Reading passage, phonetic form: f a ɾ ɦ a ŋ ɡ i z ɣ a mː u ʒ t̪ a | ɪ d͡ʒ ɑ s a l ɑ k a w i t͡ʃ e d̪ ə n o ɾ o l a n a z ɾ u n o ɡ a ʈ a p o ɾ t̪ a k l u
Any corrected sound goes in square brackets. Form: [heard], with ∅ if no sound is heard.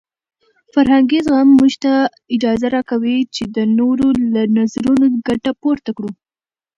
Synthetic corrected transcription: f a ɾ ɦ a ŋ ɡ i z ɣ a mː u ʒ t̪ a | ɪ d͡ʒ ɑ [z] a [ɾ] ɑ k a w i t͡ʃ e d̪ ə n o ɾ o l a n a z ɾ u n o ɡ a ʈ a p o ɾ t̪ a k [ɽ] u